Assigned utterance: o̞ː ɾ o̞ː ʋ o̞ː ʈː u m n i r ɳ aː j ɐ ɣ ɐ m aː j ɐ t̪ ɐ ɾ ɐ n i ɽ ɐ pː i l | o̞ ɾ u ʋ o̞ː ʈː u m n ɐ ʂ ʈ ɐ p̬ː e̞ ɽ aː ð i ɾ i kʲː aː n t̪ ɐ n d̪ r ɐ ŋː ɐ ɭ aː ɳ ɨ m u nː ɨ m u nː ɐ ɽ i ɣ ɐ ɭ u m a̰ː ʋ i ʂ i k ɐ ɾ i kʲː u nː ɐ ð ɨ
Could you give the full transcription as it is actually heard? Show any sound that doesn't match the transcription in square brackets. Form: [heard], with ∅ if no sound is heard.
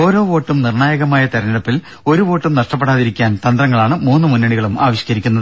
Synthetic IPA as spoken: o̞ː ɾ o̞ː ʋ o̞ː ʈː u m n i r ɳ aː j ɐ ɣ ɐ m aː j ɐ t̪ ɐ ɾ ɐ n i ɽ ɐ pː i l | o̞ ɾ u ʋ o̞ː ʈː u m n ɐ ʂ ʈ ɐ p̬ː e̞ ɽ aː ð i ɾ i kʲː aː n t̪ ɐ n d̪ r ɐ ŋː ɐ ɭ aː ɳ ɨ m [uː] nː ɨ m u nː ɐ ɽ i ɣ ɐ ɭ u m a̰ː ʋ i [ɕ] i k ɐ ɾ i kʲː u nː ɐ ð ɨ